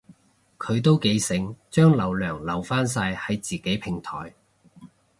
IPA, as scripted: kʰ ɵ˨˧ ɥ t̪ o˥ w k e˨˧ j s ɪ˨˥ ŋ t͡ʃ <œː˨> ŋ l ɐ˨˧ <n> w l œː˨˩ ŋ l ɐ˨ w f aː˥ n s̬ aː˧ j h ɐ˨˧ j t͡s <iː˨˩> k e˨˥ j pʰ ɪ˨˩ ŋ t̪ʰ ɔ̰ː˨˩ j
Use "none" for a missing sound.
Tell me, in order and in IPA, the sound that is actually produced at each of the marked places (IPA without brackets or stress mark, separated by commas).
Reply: œː˥, none, iː˨˩